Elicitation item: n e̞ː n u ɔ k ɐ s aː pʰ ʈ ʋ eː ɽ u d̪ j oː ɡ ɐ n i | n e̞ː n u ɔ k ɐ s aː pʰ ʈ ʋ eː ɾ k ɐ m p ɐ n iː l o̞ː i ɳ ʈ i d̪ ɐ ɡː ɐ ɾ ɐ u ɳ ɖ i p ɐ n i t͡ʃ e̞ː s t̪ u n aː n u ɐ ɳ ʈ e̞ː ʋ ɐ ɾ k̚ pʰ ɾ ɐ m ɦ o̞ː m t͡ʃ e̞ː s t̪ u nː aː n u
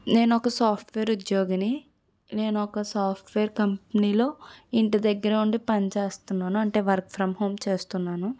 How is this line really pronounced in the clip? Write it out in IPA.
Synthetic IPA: n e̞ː n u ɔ k ɐ s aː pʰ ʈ ʋ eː ɾ u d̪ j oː ɡ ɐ n i | n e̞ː n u ɔ k ɐ s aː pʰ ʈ ʋ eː ɾ k ɐ m p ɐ n iː l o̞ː i ɳ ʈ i d̪ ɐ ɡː ɐ ɾ ɐ u ɳ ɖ i p ɐ n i t͡ʃ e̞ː s t̪ u nː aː n u ɐ ɳ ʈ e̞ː ʋ ɐ ɾ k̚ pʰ ɾ ɐ m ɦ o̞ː m t͡ʃ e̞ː s t̪ u nː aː n u